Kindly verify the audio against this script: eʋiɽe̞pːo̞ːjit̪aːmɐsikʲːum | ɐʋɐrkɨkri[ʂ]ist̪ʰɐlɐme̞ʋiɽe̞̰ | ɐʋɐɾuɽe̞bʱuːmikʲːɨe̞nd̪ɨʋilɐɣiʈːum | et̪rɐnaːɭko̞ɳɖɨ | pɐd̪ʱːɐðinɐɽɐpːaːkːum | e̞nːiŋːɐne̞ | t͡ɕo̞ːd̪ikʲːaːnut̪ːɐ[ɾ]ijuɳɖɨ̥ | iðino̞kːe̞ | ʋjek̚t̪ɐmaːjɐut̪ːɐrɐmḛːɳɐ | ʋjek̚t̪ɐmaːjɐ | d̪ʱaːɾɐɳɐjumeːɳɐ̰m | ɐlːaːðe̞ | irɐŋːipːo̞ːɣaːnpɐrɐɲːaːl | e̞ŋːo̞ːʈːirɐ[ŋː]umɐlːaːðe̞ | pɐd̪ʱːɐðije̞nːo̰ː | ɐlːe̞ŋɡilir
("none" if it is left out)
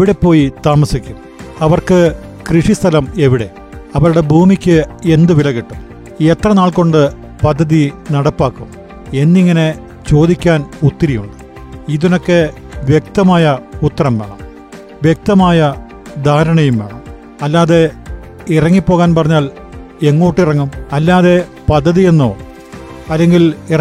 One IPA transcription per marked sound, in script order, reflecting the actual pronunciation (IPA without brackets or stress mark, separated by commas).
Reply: ʂ, ɾ, ŋː